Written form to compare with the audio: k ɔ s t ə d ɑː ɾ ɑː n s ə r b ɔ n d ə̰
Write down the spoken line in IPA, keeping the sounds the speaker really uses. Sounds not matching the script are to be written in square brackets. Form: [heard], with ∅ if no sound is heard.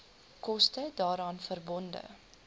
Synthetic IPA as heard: k ɔ s t ə d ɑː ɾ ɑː n [f] ə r b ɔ n d ə̰